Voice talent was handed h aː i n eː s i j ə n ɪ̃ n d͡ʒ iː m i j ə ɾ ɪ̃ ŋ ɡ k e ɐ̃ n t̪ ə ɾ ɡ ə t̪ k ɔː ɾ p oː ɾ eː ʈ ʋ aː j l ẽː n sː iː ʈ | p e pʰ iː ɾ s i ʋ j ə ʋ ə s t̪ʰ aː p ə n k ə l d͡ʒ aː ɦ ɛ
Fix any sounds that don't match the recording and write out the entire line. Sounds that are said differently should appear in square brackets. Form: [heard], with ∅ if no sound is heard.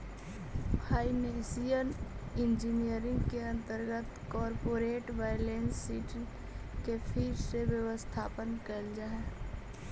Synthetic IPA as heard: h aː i n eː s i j ə n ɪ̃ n d͡ʒ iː [n] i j ə ɾ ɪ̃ ŋ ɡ k e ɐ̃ n t̪ ə ɾ ɡ ə t̪ k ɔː ɾ p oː ɾ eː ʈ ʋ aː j l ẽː n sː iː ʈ | [k] e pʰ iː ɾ s [e] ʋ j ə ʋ ə s t̪ʰ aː p ə n k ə l d͡ʒ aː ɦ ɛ